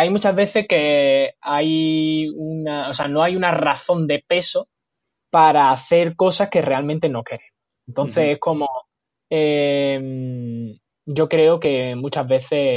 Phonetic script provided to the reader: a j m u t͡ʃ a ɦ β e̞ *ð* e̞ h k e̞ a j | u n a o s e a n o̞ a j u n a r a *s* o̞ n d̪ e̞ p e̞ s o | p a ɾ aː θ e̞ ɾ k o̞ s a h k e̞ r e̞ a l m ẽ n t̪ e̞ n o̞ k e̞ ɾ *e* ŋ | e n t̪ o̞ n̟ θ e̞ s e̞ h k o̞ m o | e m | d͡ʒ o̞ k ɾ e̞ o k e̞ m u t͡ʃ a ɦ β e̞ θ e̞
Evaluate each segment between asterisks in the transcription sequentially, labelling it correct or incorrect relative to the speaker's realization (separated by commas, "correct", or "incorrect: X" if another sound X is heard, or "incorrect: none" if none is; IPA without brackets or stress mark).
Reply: incorrect: θ, incorrect: θ, correct